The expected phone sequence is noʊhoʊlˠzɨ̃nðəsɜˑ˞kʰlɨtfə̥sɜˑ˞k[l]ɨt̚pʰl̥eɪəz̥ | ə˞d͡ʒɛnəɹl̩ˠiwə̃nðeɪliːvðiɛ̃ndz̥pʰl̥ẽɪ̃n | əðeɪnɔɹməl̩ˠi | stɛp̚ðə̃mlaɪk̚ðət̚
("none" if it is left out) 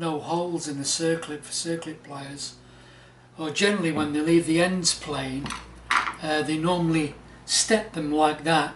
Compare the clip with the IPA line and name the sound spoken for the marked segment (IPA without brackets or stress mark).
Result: l